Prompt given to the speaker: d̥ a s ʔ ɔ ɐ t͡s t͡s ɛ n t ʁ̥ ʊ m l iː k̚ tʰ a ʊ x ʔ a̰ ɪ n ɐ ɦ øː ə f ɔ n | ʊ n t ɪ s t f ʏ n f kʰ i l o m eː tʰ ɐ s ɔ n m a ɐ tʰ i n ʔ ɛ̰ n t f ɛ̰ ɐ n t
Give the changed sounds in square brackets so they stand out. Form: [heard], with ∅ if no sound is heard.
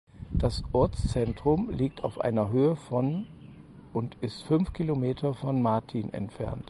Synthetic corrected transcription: d̥ a s ʔ ɔ ɐ t͡s t͡s ɛ n t ʁ̥ ʊ m l iː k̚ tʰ a ʊ [f] ʔ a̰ ɪ n ɐ ɦ øː ə f ɔ n | ʊ n t ɪ s t f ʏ n f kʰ i l o m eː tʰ ɐ [f] ɔ n m a ɐ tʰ i n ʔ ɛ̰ n t f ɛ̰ ɐ n t